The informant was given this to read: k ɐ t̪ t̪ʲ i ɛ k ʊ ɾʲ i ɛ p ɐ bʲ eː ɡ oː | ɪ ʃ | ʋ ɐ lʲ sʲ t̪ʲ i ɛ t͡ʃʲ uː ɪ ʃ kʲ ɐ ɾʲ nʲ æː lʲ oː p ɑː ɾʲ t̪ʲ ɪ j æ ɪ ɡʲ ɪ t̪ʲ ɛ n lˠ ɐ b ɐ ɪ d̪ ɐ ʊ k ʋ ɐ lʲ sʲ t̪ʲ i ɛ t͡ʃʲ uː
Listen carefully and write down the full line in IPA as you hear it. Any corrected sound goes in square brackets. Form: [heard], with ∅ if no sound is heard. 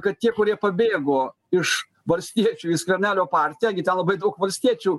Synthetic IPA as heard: k ɐ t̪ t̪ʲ i ɛ k ʊ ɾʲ i ɛ p ɐ bʲ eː ɡ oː | ɪ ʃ | ʋ ɐ lʲ sʲ t̪ʲ i ɛ t͡ʃʲ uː ɪ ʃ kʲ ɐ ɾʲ nʲ æː lʲ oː p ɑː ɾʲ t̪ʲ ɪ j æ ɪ ɡʲ ɪ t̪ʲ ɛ n lˠ ɐ b ɐ ɪ d̪ ɐ ʊ k ʋ ɐ lʲ sʲ t̪ʲ i ɛ t͡ʃʲ uː